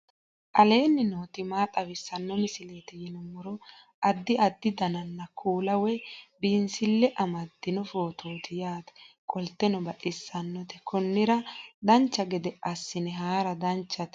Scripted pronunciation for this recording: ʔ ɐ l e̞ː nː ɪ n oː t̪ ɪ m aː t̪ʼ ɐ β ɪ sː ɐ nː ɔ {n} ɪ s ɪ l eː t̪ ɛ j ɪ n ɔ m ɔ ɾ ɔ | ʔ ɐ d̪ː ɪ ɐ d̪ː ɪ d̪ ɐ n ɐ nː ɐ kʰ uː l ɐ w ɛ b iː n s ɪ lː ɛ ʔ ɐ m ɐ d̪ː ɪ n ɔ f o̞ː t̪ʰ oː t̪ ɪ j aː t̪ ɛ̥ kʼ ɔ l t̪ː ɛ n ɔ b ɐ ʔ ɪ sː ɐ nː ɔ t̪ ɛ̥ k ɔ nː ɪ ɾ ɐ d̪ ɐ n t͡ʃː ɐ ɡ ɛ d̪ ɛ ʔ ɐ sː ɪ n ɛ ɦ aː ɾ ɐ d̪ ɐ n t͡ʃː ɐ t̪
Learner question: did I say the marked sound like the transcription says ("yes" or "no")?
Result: no